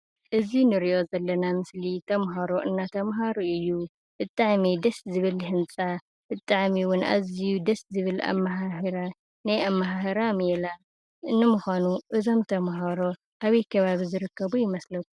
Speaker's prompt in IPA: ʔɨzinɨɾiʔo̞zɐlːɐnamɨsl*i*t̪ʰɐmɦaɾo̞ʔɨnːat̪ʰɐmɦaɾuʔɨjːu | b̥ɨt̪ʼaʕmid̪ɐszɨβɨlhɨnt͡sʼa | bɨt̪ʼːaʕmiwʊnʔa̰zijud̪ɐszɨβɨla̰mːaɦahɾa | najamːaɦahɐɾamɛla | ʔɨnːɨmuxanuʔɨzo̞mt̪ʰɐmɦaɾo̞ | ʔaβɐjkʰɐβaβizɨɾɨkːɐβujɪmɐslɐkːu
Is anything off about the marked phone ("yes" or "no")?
no